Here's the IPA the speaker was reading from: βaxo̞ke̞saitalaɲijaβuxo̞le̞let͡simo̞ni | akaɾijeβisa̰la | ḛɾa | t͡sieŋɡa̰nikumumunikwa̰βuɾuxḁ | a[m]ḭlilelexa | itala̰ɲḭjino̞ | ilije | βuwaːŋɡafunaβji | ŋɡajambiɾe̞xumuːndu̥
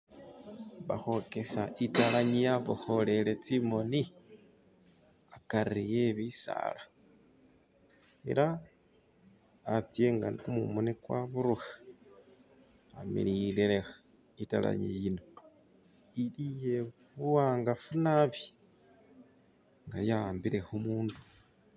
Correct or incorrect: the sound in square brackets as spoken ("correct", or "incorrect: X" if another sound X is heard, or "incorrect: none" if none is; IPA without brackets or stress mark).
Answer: correct